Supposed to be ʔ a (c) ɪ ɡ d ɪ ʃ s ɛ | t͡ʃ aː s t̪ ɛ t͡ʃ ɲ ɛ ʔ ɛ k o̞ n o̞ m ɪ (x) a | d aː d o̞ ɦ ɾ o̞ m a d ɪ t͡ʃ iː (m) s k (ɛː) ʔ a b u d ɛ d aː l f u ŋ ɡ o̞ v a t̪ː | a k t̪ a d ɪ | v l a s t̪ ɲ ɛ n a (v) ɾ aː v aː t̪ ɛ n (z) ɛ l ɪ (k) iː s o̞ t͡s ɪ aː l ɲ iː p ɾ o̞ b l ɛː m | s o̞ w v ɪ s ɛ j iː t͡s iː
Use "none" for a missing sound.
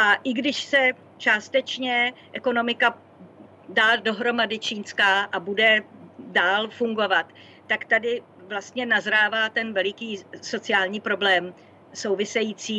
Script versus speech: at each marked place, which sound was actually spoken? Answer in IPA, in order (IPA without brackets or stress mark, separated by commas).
ʔ, k, n, aː, z, v, k